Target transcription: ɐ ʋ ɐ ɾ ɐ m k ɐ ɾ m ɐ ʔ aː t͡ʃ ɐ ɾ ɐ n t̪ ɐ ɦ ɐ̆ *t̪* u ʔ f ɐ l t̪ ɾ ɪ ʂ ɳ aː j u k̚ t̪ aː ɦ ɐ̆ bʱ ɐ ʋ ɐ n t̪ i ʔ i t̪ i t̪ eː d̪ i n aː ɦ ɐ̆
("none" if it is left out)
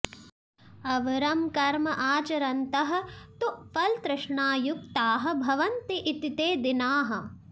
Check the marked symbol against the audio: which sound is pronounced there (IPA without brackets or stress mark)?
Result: t̪